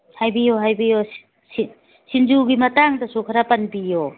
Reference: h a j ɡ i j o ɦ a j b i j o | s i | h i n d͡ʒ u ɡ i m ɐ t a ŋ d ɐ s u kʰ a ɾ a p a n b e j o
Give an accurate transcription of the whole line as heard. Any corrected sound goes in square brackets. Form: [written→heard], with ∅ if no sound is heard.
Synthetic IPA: h a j [ɡ→b] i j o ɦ a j b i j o | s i | [h→s] i n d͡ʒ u ɡ i m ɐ t a ŋ d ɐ s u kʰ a ɾ a p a n b [e→i] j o